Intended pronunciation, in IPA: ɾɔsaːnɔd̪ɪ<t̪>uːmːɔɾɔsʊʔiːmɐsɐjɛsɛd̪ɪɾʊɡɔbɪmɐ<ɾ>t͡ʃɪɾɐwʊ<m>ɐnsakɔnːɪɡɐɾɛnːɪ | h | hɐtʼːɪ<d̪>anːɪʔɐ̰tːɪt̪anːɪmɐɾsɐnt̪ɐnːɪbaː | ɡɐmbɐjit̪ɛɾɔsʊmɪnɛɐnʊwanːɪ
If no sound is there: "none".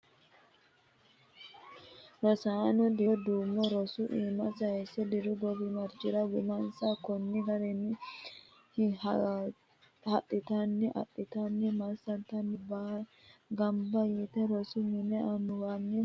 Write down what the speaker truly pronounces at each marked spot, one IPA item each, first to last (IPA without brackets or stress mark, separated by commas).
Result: d̪, ɾ, m, t̪